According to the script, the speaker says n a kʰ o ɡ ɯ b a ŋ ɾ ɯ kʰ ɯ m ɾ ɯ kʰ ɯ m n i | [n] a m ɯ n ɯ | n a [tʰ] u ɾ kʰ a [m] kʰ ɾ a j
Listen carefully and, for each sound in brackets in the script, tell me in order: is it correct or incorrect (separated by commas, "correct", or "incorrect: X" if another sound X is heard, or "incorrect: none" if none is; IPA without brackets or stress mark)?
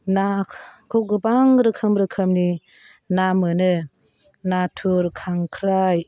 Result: correct, correct, incorrect: ŋ